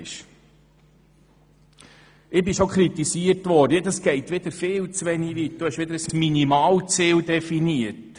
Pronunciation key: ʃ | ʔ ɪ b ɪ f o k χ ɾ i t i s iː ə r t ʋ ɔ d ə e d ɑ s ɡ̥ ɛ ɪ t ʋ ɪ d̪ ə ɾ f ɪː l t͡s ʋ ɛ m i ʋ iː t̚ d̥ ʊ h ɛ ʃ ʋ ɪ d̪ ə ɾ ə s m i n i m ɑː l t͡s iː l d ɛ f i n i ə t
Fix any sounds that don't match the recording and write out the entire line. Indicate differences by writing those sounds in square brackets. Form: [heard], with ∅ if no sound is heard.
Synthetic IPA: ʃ | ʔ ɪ b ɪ [ʃ] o k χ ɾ i t i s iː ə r t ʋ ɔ d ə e d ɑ s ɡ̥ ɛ ɪ t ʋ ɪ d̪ ə ɾ f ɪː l t͡s ʋ ɛ [n] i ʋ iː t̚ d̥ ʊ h ɛ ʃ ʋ ɪ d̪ ə ɾ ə s m i n i m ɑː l t͡s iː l d ɛ f i n i ə t